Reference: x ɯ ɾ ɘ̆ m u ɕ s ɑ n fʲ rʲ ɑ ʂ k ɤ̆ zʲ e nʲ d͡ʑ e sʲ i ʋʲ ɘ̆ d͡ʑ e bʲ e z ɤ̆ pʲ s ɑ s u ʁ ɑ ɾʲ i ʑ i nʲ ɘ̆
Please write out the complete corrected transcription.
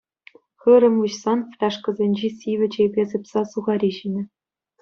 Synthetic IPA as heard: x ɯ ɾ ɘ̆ m u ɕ s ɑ n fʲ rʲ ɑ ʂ k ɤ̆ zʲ e nʲ d͡ʑ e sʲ i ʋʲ ɘ̆ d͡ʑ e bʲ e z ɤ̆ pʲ s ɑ s u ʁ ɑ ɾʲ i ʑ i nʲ ɘ̆